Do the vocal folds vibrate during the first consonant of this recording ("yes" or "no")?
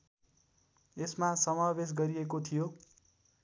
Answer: no